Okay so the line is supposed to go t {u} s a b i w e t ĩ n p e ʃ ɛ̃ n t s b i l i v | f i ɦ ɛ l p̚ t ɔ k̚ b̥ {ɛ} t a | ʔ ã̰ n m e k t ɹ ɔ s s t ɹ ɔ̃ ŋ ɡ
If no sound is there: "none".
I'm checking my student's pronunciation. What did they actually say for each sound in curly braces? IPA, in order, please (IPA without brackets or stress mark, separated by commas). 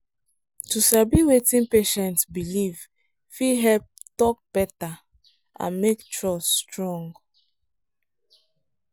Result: u, ɛ